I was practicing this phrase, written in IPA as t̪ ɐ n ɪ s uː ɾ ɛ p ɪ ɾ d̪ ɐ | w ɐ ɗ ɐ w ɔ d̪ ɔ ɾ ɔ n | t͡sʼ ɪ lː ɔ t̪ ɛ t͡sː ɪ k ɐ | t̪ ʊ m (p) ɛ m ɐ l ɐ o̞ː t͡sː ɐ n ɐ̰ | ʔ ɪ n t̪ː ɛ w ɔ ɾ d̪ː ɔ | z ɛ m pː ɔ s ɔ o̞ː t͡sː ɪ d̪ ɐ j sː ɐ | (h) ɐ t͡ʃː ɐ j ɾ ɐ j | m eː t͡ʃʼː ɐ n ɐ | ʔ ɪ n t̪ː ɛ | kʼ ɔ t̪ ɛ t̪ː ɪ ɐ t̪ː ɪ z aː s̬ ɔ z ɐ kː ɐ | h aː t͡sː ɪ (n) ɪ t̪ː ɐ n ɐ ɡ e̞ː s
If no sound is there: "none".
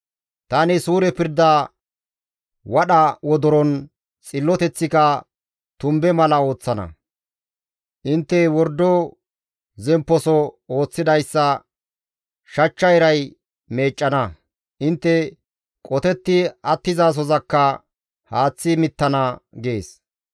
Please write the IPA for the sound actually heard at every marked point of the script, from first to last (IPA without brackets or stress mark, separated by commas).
b, ʃ, m